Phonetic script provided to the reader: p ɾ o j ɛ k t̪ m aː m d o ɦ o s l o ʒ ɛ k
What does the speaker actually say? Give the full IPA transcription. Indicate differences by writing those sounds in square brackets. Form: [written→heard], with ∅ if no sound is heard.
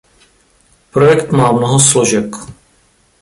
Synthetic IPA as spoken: p ɾ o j ɛ k t̪ m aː m [d→n] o ɦ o s l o ʒ ɛ k